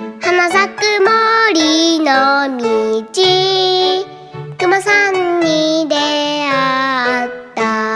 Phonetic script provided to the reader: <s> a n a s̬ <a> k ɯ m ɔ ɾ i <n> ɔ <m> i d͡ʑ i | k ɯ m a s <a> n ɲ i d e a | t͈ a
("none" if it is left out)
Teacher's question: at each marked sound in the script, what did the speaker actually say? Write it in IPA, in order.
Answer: h, a, n, m, a

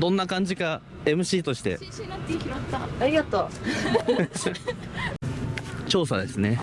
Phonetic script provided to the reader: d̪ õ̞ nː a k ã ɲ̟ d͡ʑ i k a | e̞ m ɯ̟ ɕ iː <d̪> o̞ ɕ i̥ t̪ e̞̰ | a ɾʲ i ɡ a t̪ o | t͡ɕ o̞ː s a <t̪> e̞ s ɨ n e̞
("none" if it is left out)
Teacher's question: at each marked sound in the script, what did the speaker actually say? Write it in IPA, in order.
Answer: t̪, d̪

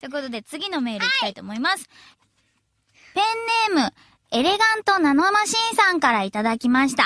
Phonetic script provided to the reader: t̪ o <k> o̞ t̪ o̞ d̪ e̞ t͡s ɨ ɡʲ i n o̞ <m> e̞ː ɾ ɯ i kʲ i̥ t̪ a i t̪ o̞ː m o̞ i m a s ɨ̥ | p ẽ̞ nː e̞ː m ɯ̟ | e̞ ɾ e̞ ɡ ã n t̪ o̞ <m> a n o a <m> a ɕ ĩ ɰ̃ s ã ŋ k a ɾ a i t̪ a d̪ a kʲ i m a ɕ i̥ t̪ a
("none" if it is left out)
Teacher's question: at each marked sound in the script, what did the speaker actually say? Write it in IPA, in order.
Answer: k, m, n, m

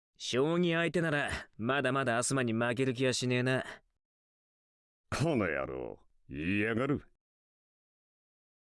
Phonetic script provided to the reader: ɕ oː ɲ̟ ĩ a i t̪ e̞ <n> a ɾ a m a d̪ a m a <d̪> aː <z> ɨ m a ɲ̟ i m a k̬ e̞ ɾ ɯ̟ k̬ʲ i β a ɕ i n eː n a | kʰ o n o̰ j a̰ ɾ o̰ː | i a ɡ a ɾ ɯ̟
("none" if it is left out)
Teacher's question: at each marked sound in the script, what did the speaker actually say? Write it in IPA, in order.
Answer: n, d̪, s

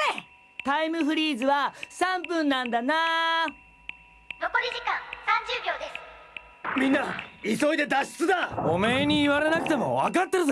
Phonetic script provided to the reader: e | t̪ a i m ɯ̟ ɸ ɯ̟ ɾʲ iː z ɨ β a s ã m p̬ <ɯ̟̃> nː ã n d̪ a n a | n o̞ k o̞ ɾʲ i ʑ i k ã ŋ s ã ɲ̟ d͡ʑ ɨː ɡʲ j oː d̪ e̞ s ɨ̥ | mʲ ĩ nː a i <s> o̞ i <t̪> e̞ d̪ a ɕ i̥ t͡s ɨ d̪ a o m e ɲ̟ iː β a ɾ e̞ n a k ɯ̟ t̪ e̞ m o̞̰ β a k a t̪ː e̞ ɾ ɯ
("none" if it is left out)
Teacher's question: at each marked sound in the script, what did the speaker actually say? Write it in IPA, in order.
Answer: ɯ̟̃, s, d̪

